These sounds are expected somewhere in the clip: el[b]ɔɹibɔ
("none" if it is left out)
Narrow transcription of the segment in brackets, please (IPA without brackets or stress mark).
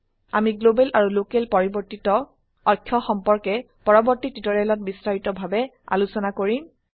p